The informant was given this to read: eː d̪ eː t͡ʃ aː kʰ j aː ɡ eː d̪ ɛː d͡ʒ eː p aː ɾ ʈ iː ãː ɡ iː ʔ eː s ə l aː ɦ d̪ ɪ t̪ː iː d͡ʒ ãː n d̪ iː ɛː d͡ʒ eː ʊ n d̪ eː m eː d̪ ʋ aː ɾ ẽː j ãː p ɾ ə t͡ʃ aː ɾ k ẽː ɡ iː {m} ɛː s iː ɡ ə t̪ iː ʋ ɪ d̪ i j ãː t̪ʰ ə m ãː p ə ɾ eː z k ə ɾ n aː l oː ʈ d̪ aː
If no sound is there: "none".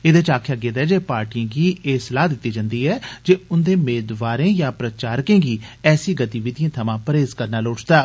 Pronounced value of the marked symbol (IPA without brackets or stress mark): none